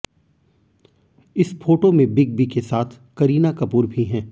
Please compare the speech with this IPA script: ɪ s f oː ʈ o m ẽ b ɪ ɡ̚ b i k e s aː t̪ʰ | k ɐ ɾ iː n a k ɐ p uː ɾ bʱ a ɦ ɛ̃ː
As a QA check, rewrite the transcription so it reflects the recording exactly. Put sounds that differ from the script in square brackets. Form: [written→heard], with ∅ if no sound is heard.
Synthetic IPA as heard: ɪ s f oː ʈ o m ẽ b ɪ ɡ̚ b i k e s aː t̪ʰ | k ɐ ɾ iː n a k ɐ p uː ɾ bʱ [a→i] ɦ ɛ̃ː